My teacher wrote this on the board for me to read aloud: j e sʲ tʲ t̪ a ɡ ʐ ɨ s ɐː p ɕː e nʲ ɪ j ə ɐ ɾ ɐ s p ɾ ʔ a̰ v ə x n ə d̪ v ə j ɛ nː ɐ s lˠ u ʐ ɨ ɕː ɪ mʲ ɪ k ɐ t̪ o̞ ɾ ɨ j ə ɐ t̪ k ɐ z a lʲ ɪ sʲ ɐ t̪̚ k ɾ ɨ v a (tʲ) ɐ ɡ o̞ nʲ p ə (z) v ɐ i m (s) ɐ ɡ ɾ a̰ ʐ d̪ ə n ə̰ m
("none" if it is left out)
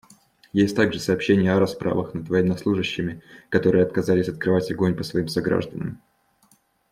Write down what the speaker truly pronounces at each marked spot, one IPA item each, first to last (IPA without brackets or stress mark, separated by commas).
tʲ, s, s